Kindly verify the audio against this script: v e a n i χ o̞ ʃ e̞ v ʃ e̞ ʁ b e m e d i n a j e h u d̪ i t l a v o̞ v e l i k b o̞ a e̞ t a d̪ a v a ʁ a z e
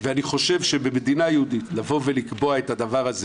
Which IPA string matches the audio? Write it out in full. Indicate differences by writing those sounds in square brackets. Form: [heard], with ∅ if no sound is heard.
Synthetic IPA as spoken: v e a n i χ o̞ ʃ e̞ v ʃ e̞ [∅] b e m e d i n a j e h u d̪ i t l a v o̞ v e l i k b o̞ a e̞ t a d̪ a v a ʁ a z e